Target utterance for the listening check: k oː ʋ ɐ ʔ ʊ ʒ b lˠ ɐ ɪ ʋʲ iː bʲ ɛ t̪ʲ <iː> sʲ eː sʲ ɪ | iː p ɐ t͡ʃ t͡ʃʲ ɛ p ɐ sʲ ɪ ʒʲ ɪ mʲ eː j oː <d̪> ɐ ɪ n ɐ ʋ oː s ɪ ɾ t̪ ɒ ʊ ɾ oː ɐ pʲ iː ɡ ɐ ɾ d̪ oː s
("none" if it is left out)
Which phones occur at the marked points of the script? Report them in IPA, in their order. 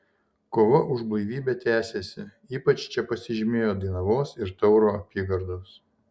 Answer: æː, d̪

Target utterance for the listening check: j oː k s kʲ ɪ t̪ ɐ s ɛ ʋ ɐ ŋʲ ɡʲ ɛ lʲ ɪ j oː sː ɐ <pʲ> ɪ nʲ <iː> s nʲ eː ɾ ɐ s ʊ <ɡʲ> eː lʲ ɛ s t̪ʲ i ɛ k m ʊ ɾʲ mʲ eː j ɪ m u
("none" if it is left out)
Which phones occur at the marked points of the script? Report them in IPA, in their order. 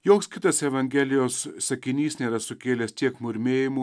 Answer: kʲ, iː, kʲ

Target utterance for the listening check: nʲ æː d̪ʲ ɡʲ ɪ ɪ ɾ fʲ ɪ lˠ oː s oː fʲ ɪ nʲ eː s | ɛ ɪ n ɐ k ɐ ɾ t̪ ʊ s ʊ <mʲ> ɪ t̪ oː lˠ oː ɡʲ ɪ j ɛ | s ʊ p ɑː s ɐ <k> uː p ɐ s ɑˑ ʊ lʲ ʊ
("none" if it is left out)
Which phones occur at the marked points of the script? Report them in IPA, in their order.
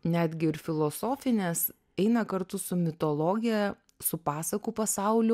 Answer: mʲ, k

